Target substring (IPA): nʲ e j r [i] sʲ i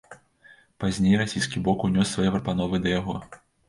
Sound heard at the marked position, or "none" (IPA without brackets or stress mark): a